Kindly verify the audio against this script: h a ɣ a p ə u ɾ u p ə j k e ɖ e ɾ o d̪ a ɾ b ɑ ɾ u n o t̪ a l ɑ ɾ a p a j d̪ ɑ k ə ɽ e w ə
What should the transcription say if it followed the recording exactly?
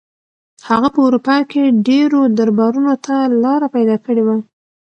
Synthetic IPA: h a ɣ a p ə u ɾ u p ɑ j k e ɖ e ɾ o d̪ a ɾ b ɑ ɾ u n o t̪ a l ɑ ɾ a p a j d̪ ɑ k ə ɽ e w a